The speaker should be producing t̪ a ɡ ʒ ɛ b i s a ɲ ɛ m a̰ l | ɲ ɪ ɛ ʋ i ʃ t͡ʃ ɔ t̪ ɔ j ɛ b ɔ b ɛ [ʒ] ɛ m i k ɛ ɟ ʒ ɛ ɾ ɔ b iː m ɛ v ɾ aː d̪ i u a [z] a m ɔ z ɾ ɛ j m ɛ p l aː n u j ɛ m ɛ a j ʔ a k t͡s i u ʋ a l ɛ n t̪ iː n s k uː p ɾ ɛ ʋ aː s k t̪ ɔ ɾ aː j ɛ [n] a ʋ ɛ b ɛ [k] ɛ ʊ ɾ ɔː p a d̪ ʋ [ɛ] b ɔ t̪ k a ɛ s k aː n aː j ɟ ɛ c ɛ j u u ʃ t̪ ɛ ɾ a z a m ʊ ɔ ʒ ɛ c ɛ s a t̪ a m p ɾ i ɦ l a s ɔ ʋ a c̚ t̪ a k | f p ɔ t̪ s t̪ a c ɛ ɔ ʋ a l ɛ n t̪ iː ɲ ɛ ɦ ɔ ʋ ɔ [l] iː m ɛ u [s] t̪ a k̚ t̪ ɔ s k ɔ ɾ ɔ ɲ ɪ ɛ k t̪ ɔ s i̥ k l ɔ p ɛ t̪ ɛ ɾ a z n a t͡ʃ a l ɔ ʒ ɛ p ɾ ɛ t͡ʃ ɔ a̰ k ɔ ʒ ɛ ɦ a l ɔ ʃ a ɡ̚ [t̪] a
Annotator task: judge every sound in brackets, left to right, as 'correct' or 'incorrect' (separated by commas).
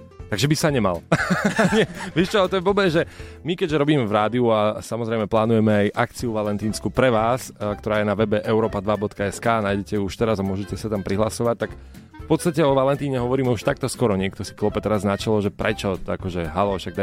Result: correct, incorrect, correct, incorrect, incorrect, incorrect, incorrect, incorrect